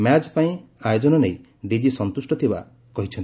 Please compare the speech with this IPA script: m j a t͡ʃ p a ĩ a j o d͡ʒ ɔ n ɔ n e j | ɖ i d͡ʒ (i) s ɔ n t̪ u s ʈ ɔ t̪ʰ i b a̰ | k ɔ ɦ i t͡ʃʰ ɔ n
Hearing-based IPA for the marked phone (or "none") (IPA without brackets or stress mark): i